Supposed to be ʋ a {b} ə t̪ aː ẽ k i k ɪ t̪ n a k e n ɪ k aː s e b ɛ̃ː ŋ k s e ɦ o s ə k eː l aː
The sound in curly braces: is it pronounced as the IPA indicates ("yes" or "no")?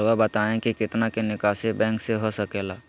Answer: yes